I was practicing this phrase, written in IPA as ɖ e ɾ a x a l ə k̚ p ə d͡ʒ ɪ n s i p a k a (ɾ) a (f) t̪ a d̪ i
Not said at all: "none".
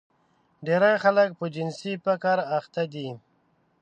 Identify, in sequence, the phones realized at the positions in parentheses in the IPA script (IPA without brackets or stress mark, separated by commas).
ɾ, x